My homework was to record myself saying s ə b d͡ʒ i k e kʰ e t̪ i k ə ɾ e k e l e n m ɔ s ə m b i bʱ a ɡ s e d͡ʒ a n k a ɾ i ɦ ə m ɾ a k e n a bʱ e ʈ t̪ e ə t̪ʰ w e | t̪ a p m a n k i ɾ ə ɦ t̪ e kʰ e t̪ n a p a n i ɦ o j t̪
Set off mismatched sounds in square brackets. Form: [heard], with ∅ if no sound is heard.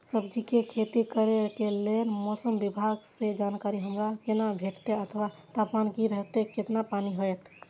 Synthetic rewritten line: s ə b d͡ʒ i k e kʰ e t̪ i k ə ɾ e k e l e n m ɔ s ə m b i bʱ a ɡ s e d͡ʒ a n k a ɾ i ɦ ə m ɾ a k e n a bʱ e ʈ t̪ e ə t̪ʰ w [a] | t̪ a p m a n k i ɾ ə ɦ t̪ e [k] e t̪ n a p a n i ɦ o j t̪